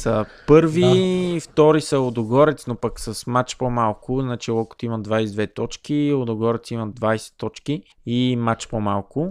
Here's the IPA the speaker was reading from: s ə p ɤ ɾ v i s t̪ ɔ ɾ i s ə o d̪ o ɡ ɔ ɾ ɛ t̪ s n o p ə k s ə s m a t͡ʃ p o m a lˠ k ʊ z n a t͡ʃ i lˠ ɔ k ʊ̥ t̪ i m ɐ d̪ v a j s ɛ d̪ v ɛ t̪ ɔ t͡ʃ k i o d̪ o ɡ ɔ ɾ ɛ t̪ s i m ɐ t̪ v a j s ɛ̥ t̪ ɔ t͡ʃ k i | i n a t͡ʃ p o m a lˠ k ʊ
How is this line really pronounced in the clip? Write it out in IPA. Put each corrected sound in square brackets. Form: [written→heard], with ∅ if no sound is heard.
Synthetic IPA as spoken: s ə p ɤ ɾ v i [s→f] t̪ ɔ ɾ i s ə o d̪ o ɡ ɔ ɾ ɛ t̪ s n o p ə k s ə s m a t͡ʃ p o m a lˠ k ʊ z n a t͡ʃ i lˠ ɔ k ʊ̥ t̪ i m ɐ d̪ v a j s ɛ d̪ v ɛ t̪ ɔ t͡ʃ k i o d̪ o ɡ ɔ ɾ ɛ t̪ s i m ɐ [t̪→d̪] v a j s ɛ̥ t̪ ɔ t͡ʃ k i | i [n→m] a t͡ʃ p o m a lˠ k ʊ